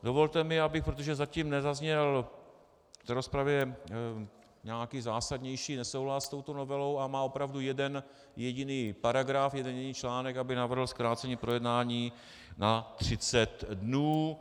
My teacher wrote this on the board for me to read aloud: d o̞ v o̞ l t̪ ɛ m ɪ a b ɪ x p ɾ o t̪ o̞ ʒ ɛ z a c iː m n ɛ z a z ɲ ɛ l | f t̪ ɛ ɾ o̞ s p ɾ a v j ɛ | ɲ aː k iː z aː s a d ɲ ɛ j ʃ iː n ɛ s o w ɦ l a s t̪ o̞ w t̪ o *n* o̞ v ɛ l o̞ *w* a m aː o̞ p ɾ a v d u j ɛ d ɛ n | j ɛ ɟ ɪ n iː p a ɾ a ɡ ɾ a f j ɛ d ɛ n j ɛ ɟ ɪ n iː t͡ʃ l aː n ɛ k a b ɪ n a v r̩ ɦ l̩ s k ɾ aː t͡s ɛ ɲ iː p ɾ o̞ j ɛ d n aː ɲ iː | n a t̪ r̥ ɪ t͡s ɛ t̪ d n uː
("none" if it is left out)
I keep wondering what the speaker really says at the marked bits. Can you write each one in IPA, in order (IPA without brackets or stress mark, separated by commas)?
n, w